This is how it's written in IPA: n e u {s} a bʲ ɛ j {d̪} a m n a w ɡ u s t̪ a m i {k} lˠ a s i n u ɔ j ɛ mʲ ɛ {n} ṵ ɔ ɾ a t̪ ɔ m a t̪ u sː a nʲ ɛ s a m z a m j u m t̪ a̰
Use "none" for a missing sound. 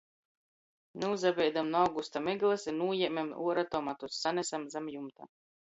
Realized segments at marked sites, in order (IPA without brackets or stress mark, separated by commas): z, d̪, ɡ, m